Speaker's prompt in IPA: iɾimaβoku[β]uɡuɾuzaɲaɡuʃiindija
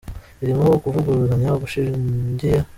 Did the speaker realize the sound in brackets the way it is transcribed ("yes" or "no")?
no